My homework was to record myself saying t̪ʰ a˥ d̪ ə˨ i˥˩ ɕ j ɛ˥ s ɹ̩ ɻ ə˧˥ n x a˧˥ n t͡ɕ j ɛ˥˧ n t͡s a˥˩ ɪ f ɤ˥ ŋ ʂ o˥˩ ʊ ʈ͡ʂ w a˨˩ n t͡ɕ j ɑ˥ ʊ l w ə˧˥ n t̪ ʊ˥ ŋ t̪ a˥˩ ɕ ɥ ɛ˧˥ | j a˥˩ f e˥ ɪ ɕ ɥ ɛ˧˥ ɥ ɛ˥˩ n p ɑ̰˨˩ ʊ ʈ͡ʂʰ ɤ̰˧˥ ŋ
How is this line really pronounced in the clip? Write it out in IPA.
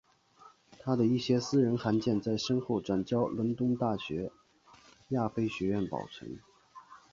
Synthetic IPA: t̪ʰ a˥ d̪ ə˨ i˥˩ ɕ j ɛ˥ s ɹ̩ ɻ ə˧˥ n x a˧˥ n t͡ɕ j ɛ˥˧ n t͡s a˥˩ ɪ ʂ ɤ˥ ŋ x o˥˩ ʊ ʈ͡ʂ w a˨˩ n t͡ɕ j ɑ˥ ʊ l w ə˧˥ n t̪ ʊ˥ ŋ t̪ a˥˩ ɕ ɥ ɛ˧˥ | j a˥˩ f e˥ ɪ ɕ ɥ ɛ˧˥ ɥ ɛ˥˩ n p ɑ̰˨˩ ʊ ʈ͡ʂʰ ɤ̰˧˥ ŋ